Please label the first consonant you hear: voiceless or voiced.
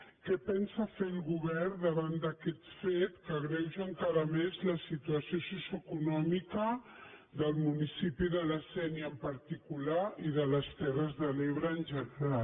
voiceless